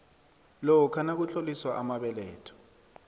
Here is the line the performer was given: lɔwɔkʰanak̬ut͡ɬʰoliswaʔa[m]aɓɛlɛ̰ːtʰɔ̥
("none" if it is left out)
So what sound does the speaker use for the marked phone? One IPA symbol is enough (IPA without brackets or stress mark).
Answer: m